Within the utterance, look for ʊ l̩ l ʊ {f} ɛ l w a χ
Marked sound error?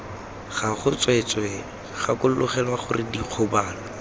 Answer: yes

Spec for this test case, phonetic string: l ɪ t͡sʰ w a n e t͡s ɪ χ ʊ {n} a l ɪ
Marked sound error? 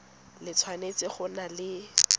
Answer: no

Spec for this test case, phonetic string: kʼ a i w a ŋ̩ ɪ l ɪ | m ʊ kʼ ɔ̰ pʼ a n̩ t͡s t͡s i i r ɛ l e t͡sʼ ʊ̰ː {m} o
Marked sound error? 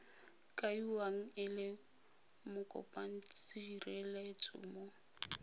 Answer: no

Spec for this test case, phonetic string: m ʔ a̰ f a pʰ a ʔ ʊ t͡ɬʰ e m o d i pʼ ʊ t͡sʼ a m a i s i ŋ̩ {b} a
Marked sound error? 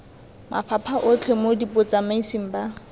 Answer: no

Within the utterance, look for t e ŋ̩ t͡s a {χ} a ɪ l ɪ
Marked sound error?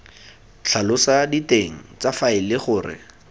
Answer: yes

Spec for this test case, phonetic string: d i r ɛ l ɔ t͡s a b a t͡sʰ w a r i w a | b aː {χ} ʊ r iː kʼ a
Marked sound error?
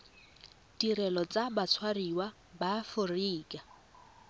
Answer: yes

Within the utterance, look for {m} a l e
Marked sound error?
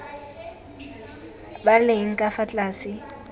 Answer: yes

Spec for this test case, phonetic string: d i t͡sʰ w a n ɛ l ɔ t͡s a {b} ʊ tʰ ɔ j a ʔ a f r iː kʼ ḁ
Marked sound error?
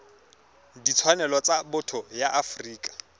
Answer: no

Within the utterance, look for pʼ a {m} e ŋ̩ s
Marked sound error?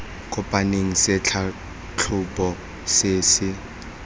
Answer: yes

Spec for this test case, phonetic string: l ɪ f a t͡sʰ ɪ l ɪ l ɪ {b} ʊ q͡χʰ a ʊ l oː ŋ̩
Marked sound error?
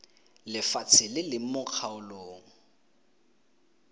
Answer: yes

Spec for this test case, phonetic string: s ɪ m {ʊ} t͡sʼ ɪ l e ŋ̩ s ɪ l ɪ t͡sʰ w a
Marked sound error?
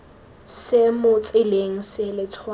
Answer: no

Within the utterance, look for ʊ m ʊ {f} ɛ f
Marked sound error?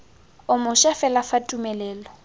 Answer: yes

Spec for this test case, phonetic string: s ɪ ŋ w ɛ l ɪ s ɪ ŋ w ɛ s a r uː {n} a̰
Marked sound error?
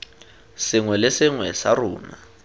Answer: no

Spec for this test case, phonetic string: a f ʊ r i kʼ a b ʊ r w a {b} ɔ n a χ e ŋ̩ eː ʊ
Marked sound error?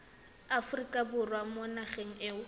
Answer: yes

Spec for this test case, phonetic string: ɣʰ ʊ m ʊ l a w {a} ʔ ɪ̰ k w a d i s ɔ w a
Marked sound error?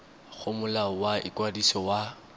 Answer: no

